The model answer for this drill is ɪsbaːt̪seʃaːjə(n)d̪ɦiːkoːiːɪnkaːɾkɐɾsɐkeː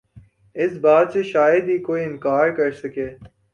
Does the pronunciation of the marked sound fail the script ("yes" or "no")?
yes